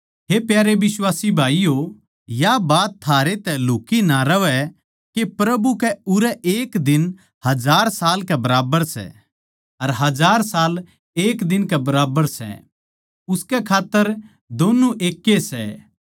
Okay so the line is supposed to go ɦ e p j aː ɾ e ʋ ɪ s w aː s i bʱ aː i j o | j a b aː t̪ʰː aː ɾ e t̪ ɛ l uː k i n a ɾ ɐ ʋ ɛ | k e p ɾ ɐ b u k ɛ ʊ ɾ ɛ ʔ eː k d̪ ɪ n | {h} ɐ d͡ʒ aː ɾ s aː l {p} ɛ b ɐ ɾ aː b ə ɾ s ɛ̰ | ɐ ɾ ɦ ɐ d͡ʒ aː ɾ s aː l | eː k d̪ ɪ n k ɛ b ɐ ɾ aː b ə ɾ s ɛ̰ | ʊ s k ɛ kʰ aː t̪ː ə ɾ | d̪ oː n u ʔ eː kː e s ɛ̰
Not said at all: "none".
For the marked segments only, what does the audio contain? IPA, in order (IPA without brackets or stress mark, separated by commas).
h, k